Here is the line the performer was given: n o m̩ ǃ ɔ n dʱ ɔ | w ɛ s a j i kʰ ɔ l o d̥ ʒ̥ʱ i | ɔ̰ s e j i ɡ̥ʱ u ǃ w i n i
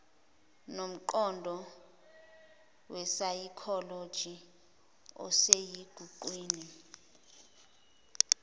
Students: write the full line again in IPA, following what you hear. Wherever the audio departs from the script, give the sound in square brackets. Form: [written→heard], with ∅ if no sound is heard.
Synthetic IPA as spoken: n o m̩ ǃ ɔ n dʱ ɔ | w ɛ s a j i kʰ ɔ l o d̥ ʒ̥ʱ i | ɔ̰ s e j i ɡ̥ʱ u ǃ w [i→iː] n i